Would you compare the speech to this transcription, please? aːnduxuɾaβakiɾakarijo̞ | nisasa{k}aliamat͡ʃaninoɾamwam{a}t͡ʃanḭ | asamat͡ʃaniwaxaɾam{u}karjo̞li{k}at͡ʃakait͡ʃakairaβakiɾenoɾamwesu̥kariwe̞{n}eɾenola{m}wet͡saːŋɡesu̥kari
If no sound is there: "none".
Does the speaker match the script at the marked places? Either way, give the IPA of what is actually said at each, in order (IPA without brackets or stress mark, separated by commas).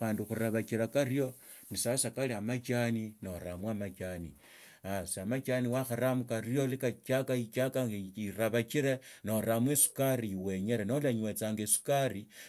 k, a, u, k, ɲ, ɲ